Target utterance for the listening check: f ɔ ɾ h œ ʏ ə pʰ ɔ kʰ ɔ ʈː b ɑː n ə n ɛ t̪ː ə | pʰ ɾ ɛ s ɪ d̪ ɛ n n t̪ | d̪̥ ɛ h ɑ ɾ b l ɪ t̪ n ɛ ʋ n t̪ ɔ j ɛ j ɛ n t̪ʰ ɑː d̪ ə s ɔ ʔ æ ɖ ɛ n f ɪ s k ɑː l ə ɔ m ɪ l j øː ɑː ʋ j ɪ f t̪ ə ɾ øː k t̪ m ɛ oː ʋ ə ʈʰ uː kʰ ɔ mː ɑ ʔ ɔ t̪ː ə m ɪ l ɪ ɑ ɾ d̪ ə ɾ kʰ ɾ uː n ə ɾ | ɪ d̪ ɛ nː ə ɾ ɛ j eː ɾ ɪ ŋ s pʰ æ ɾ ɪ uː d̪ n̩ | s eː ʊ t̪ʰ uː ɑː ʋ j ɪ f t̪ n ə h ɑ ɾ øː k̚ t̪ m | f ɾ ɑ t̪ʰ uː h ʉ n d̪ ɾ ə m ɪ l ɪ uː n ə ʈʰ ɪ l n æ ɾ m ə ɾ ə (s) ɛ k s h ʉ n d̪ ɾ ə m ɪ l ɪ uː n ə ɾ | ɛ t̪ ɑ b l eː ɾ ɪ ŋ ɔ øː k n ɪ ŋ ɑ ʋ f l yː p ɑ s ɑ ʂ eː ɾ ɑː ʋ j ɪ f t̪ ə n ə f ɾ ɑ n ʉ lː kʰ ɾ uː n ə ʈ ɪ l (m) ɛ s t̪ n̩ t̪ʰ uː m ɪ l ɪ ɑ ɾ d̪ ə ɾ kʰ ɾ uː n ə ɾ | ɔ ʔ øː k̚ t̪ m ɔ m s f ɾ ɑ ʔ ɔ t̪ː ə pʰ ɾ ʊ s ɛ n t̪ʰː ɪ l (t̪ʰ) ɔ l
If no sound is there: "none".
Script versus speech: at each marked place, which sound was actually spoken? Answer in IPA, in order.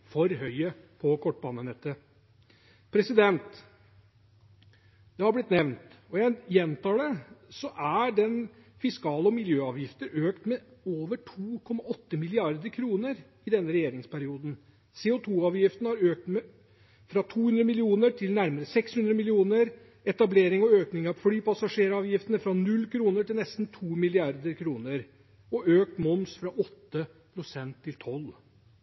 s, n, t̪ʰ

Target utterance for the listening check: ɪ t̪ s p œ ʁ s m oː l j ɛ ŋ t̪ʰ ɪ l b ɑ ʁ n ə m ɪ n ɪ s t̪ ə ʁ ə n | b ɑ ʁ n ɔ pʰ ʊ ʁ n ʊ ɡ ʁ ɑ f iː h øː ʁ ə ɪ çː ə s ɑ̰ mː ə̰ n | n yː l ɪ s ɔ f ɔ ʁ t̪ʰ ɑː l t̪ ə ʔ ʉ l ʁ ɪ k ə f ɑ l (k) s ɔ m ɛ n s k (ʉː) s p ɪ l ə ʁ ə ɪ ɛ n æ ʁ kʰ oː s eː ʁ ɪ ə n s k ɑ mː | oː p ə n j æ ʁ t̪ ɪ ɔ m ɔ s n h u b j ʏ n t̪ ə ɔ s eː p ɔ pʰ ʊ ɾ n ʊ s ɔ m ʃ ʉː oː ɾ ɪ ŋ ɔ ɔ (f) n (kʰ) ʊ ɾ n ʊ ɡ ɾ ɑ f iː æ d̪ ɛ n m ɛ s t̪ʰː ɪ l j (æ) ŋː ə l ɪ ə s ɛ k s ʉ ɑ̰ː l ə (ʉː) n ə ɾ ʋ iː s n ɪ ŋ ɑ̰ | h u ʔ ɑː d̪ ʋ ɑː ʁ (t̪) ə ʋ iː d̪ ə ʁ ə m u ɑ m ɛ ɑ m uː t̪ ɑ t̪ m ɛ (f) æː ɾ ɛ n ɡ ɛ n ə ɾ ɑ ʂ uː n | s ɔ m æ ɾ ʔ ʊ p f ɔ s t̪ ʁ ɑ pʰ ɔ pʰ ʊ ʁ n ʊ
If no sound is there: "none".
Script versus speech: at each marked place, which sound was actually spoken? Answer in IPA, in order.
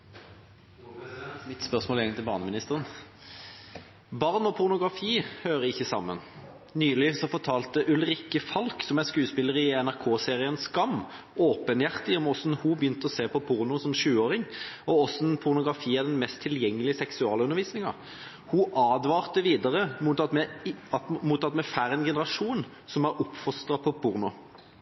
k, ʉː, s, pʰ, ɛ, ʉ, t̪, f

